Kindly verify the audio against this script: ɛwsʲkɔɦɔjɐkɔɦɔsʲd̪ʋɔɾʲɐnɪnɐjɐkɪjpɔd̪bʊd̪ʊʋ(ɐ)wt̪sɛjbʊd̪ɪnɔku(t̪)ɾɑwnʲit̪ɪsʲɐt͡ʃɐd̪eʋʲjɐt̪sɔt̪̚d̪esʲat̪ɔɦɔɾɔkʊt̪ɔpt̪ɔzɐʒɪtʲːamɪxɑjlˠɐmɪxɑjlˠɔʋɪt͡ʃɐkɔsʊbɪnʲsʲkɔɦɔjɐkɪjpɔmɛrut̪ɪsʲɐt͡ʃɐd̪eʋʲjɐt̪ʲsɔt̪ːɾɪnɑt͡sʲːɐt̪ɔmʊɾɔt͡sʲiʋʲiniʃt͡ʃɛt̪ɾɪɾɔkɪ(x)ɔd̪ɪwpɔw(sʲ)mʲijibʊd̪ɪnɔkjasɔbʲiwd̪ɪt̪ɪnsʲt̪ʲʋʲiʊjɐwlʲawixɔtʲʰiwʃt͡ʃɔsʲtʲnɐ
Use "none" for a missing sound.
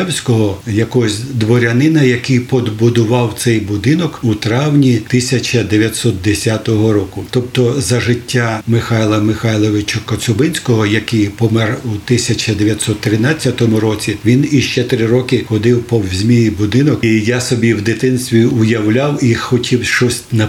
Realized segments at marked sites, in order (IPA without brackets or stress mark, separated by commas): ɑ, t̪, x, zʲ